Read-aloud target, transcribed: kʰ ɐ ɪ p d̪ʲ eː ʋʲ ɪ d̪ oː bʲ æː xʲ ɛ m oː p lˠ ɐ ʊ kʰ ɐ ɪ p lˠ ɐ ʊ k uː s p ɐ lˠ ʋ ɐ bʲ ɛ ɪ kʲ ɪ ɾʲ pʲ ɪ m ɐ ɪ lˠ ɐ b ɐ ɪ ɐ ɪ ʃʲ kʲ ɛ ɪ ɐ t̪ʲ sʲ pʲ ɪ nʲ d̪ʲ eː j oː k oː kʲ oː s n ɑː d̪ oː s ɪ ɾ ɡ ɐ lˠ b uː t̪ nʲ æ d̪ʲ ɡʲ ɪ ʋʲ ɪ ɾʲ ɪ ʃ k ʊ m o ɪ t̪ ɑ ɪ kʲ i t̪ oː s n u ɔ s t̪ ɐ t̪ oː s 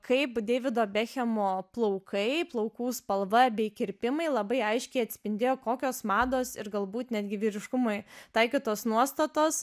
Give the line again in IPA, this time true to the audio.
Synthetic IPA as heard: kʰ ɐ ɪ p d̪ʲ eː ʋʲ ɪ d̪ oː bʲ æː xʲ ɛ m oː p lˠ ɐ ʊ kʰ ɐ ɪ p lˠ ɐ ʊ k uː s p ɐ lˠ ʋ ɐ bʲ ɛ ɪ kʲ ɪ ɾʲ pʲ ɪ m ɐ ɪ lˠ ɐ b ɐ ɪ ɐ ɪ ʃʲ kʲ ɛ ɪ ɐ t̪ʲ sʲ pʲ ɪ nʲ d̪ʲ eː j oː k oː kʲ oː s m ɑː d̪ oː s ɪ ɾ ɡ ɐ lˠ b uː t̪ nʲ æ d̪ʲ ɡʲ ɪ ʋʲ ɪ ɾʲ ɪ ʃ k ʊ m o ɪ t̪ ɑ ɪ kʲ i t̪ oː s n u ɔ s t̪ ɐ t̪ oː s

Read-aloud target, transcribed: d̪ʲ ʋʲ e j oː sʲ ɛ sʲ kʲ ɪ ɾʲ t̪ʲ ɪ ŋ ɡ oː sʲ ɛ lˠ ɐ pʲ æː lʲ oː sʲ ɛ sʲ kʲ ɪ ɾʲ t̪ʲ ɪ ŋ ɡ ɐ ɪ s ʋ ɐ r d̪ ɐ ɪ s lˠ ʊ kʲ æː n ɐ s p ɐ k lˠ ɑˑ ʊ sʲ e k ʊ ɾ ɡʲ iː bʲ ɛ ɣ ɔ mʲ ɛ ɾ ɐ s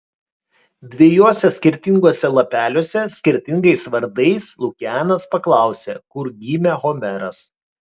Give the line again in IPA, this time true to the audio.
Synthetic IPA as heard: d̪ʲ ʋʲ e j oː sʲ ɛ sʲ kʲ ɪ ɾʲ t̪ʲ ɪ ŋ ɡ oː sʲ ɛ lˠ ɐ pʲ æː lʲ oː sʲ ɛ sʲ kʲ ɪ ɾʲ t̪ʲ ɪ ŋ ɡ ɐ ɪ s ʋ ɐ ɾ d̪ ɐ ɪ s lˠ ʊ kʲ æː n ɐ s p ɐ k lˠ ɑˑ ʊ sʲ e k ʊ ɾ ɡʲ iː mʲ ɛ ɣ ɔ mʲ ɛ ɾ ɐ s

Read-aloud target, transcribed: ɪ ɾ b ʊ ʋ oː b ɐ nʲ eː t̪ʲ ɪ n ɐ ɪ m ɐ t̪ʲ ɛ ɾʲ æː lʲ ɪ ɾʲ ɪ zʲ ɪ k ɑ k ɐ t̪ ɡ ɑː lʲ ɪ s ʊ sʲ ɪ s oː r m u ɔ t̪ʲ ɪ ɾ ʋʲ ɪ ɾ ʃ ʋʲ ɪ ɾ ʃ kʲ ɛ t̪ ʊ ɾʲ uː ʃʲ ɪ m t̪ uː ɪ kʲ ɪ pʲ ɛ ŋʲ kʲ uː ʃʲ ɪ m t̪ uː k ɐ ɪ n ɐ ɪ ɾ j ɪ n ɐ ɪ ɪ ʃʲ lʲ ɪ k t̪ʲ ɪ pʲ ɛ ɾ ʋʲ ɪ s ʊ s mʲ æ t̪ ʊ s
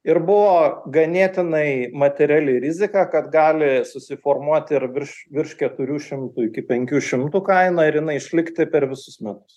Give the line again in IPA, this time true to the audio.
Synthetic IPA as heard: ɪ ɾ b ʊ ʋ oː ɡ ɐ nʲ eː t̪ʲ ɪ n ɐ ɪ m ɐ t̪ʲ ɛ ɾʲ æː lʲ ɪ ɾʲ ɪ zʲ ɪ k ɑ k ɐ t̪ ɡ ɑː lʲ ɪ s ʊ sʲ ɪ f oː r m u ɔ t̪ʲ ɪ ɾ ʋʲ ɪ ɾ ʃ ʋʲ ɪ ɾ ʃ kʲ ɛ t̪ ʊ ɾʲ uː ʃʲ ɪ m t̪ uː ɪ kʲ ɪ pʲ ɛ ŋʲ kʲ uː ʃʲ ɪ m t̪ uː k ɐ ɪ n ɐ ɪ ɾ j ɪ n ɐ ɪ ɪ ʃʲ lʲ ɪ k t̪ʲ ɪ pʲ ɛ ɾ ʋʲ ɪ s ʊ s mʲ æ t̪ ʊ s

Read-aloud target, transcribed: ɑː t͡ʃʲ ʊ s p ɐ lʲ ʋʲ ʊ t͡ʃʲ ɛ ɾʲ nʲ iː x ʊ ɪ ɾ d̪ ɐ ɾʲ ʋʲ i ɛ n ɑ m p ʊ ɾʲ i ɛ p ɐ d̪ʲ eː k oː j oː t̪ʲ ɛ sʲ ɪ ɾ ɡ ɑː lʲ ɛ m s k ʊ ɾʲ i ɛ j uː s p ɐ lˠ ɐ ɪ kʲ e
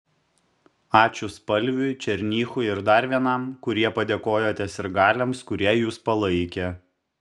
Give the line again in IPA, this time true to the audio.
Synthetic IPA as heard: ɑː t͡ʃʲ ʊ s p ɐ lʲ ʋʲ ʊ t͡ʃʲ ɛ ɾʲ nʲ iː x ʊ ɪ ɾ d̪ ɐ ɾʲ ʋʲ i ɛ n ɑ m k ʊ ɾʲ i ɛ p ɐ d̪ʲ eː k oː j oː t̪ʲ ɛ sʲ ɪ ɾ ɡ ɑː lʲ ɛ m s k ʊ ɾʲ i ɛ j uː s p ɐ lˠ ɐ ɪ kʲ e

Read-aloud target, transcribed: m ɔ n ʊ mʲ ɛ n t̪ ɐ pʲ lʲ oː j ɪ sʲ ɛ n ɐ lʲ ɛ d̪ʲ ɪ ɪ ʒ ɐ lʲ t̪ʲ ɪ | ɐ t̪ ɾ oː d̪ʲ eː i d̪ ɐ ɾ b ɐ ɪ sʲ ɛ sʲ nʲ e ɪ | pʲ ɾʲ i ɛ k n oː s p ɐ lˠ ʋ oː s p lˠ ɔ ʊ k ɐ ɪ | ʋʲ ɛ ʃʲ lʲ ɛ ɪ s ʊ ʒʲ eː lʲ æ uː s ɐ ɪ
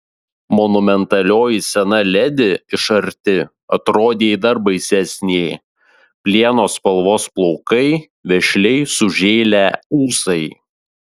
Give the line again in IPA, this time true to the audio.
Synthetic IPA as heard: m ɔ n ʊ mʲ ɛ n t̪ ɐ lʲ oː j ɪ sʲ ɛ n ɐ lʲ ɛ d̪ʲ ɪ ɪ ʃ ɐ ɾʲ t̪ʲ ɪ | ɐ t̪ ɾ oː d̪ʲ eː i d̪ ɐ ɾ b ɐ ɪ sʲ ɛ sʲ nʲ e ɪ | pʲ lʲ i ɛ n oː s p ɐ lˠ ʋ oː s p lˠ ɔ ʊ k ɐ ɪ | ʋʲ ɛ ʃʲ lʲ ɛ ɪ s ʊ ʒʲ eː lʲ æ uː s ɐ ɪ

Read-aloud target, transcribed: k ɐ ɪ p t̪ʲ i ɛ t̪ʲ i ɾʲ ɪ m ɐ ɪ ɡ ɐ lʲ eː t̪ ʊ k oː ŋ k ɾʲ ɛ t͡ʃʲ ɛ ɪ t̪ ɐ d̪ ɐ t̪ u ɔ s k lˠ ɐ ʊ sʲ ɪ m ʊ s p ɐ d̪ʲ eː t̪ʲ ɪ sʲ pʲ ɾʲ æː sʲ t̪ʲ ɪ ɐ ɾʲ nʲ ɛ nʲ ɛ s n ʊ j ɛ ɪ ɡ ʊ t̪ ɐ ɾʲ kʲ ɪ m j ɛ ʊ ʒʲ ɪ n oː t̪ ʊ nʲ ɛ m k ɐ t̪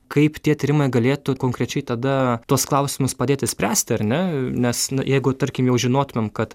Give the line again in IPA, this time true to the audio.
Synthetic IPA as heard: k ɐ ɪ p t̪ʲ i ɛ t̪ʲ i ɾʲ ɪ m ɐ ɪ ɡ ɐ lʲ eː t̪ ʊ k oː ŋ k ɾʲ ɛ t͡ʃʲ ɛ ɪ t̪ ɐ d̪ ɐ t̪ u ɔ s k lˠ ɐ ʊ sʲ ɪ m ʊ s p ɐ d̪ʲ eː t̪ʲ ɪ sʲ pʲ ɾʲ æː sʲ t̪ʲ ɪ ɐ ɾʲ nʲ ɛ nʲ ɛ s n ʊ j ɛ ɪ ɡ ʊ t̪ ɐ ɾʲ kʲ ɪ m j ɛ ʊ ʒʲ ɪ n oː t̪ ʊ mʲ ɛ m k ɐ t̪

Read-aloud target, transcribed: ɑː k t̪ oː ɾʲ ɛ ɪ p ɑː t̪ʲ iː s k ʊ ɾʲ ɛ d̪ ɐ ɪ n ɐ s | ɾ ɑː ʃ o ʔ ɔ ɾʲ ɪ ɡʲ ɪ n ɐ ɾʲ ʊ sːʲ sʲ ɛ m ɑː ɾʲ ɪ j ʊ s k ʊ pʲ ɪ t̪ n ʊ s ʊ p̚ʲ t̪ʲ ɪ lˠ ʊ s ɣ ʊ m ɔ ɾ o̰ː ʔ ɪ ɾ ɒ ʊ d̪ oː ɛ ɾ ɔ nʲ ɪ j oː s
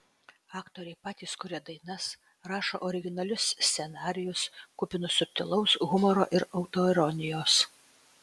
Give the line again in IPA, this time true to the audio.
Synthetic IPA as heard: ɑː k t̪ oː ɾʲ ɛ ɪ p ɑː t̪ʲ iː s k ʊ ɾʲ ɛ d̪ ɐ ɪ n ɐ s | ɾ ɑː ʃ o ʔ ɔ ɾʲ ɪ ɡʲ ɪ n ɐ lʲ ʊ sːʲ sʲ ɛ n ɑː ɾʲ ɪ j ʊ s k ʊ pʲ ɪ n ʊ s ʊ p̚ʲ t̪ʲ ɪ lˠ ʊ s ɣ ʊ m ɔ ɾ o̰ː ʔ ɪ ɾ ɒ ʊ t̪ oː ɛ ɾ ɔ nʲ ɪ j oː s

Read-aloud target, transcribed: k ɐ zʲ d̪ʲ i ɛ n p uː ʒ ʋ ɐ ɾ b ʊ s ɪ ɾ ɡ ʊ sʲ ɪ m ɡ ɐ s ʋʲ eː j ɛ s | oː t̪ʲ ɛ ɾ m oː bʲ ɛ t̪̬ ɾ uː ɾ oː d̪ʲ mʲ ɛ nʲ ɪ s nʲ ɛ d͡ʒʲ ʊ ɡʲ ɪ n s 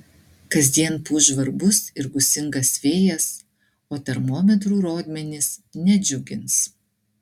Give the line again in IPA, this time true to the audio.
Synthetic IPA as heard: k ɐ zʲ d̪ʲ i ɛ n p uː ʒ ʋ ɐ ɾ b ʊ s ɪ ɾ ɡ ʊ sʲ ɪ ŋ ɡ ɐ s ʋʲ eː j ɛ s | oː t̪ʲ ɛ ɾ m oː mʲ ɛ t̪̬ ɾ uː ɾ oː d̪ʲ mʲ ɛ nʲ ɪ s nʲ ɛ d͡ʒʲ ʊ ɡʲ ɪ n s

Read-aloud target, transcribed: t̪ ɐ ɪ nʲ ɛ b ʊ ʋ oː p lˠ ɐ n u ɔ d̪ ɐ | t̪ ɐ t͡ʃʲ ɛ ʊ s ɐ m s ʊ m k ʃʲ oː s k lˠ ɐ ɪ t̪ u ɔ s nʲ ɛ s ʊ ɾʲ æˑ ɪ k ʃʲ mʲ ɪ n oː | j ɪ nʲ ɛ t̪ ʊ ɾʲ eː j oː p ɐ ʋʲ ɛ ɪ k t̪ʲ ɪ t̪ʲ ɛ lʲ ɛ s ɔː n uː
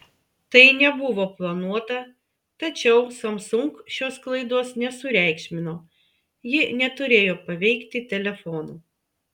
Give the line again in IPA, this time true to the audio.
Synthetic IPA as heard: t̪ ɐ ɪ nʲ ɛ b ʊ ʋ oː p lˠ ɐ n u ɔ t̪ ɐ | t̪ ɐ t͡ʃʲ ɛ ʊ s ɐ m s ʊ ŋ k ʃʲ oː s k lˠ ɐ ɪ d̪ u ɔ s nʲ ɛ s ʊ ɾʲ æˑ ɪ k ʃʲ mʲ ɪ n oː | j ɪ nʲ ɛ t̪ ʊ ɾʲ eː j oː p ɐ ʋʲ ɛ ɪ k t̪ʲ ɪ t̪ʲ ɛ lʲ ɛ f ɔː n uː

